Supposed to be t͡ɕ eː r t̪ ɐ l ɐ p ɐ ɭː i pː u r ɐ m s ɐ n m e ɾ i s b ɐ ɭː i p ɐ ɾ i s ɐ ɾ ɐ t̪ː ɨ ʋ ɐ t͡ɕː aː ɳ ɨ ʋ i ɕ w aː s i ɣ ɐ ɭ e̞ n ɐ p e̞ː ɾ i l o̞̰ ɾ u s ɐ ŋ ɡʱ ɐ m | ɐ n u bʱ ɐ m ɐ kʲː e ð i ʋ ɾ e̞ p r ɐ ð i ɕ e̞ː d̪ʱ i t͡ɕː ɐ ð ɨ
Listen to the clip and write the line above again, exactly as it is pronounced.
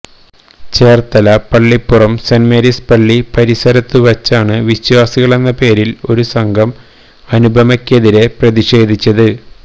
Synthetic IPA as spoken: t͡ɕ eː r t̪ ɐ l ɐ p ɐ ɭː i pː u r ɐ m s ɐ n m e ɾ i s p ɐ ɭː i p ɐ ɾ i s ɐ ɾ ɐ t̪ː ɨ ʋ ɐ t͡ɕː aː ɳ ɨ ʋ i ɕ w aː s i ɣ ɐ ɭ e̞ nː ɐ p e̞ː ɾ i l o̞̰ ɾ u s ɐ ŋ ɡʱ ɐ m | ɐ n u bʱ ɐ m ɐ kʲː e ð i ɾ e̞ p r ɐ ð i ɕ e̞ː d̪ʱ i t͡ɕː ɐ ð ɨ

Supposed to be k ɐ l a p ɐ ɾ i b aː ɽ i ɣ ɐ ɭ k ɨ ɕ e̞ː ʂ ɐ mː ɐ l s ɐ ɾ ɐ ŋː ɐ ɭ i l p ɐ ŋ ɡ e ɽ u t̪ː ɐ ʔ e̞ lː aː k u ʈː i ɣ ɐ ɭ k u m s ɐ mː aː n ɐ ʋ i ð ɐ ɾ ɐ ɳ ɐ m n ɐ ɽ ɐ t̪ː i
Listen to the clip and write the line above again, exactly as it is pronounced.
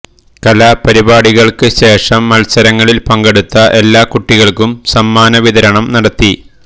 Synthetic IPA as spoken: k ɐ l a p ɐ ɾ i b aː ɽ i ɣ ɐ ɭ k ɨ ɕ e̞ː ʂ ɐ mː ɐ l s ɐ ɾ ɐ ŋː ɐ ɭ i l p ɐ ŋ ɡ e ɽ u t̪ː ɐ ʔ e̞ lː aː k u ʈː i ɣ ɐ ɭ k u m s ɐ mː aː n ɐ ʋ i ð ɐ ɾ ɐ ɳ ɐ m n ɐ ɽ ɐ t̪ː i

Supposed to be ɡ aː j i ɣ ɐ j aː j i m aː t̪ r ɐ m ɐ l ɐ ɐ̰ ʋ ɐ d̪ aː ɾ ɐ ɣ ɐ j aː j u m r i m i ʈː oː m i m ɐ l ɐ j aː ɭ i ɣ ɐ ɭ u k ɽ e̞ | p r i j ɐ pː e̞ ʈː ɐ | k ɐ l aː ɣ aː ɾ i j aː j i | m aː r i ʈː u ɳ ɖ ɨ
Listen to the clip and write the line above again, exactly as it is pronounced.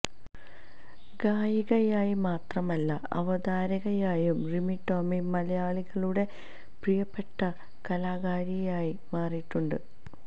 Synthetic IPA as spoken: ɡ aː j i ɣ ɐ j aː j i m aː t̪ r ɐ m ɐ lː ɐ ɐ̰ ʋ ɐ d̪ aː ɾ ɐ ɣ ɐ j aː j u m r i m i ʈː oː m i m ɐ l ɐ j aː ɭ i ɣ ɐ ɭ u ɽ e̞ | p r i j ɐ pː e̞ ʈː ɐ | k ɐ l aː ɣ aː ɾ i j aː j i | m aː r i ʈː u ɳ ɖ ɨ

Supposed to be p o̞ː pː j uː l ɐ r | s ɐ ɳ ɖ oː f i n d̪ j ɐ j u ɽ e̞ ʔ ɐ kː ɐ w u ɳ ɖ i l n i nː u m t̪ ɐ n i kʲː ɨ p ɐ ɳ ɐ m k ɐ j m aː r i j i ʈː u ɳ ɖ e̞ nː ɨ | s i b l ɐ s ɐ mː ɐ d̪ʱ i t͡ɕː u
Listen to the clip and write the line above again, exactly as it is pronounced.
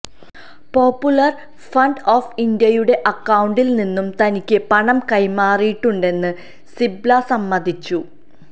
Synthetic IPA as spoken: p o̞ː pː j u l ɐ r | f ɐ ɳ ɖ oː f i n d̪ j ɐ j u ɽ e̞ ʔ ɐ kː ɐ w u ɳ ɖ i l n i nː u m t̪ ɐ n i kʲː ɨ p ɐ ɳ ɐ m k ɐ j m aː r i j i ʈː u ɳ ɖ e̞ nː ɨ | s i b l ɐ s ɐ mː ɐ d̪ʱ i t͡ɕː u

